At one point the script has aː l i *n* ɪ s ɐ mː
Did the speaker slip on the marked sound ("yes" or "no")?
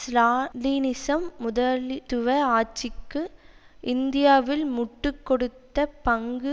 no